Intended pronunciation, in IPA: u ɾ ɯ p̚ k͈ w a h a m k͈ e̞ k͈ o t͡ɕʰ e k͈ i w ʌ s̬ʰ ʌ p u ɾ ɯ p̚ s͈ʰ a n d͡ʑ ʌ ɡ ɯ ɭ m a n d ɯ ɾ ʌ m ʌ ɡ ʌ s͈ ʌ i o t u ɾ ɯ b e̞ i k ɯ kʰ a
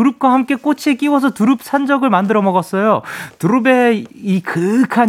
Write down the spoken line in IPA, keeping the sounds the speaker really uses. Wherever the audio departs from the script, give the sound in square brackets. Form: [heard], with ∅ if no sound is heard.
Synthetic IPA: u ɾ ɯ p̚ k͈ w a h a m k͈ e̞ k͈ o t͡ɕʰ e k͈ i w ʌ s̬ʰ ʌ [t] u ɾ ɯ p̚ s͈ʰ a n d͡ʑ ʌ ɡ ɯ ɭ m a n d ɯ ɾ ʌ m ʌ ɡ ʌ s͈ ʌ [j] o t u ɾ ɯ b e̞ i k ɯ kʰ a